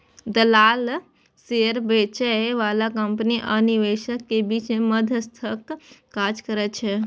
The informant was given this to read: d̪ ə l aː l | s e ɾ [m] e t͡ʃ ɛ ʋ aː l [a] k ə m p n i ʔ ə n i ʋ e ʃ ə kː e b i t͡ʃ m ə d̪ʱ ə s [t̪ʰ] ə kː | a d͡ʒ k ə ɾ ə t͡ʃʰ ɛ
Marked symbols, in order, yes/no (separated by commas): no, yes, yes